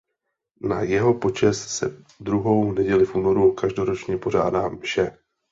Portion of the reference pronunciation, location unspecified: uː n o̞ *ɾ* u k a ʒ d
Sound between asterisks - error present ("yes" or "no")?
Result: no